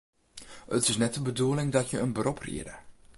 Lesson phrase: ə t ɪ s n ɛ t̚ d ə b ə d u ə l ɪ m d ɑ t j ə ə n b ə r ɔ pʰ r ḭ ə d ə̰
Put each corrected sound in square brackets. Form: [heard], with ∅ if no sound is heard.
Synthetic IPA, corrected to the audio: ə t ɪ s n ɛ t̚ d ə b ə d u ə l ɪ [ŋ] d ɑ t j ə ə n b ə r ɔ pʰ r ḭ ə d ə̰

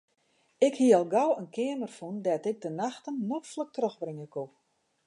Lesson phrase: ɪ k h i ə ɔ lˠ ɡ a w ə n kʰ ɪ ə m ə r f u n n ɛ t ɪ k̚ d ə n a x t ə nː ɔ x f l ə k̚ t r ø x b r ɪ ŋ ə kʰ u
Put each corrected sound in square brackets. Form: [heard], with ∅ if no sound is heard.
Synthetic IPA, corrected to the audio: ɪ k h i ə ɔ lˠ ɡ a w ə n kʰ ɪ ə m ə r f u n [d] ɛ t ɪ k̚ d ə n a x t ə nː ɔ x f l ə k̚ t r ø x b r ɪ ŋ ə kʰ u

